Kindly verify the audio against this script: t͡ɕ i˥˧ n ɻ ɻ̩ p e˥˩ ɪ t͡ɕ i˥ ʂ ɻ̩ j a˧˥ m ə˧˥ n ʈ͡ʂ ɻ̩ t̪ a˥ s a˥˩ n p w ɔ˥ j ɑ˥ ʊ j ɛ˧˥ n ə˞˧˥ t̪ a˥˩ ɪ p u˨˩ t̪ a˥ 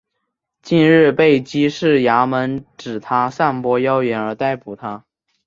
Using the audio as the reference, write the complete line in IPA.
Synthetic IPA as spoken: t͡ɕ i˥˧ n ɻ ɻ̩ p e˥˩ ɪ t͡ɕ i˥ ʂ ɻ̩ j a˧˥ m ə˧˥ n ʈ͡ʂ ɻ̩ t̪ʰ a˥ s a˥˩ n p w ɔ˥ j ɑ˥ ʊ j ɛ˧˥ n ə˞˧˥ t̪ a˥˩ ɪ p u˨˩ t̪ʰ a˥